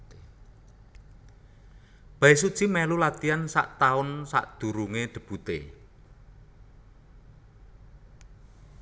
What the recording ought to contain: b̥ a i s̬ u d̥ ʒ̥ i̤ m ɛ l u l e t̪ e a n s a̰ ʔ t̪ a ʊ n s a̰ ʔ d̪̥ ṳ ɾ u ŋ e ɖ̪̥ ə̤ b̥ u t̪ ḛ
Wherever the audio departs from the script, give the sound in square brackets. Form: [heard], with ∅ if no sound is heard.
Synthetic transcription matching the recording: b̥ a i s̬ u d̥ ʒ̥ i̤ m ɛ l u l [a] t̪ [i] a n s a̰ ʔ t̪ a ʊ n s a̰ ʔ d̪̥ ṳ ɾ u ŋ e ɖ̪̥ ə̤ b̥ u t̪ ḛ